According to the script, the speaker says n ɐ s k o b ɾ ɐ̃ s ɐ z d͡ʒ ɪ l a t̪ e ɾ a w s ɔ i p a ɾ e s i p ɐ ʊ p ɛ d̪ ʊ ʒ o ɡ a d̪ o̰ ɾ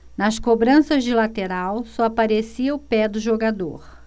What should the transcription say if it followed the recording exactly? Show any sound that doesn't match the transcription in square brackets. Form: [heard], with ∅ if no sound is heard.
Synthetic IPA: n ɐ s k o b ɾ ɐ̃ s ɐ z d͡ʒ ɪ l a t̪ e ɾ a w s ɔ [a] p a ɾ e s i [∅] ɐ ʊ p ɛ d̪ ʊ ʒ o ɡ a d̪ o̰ ɾ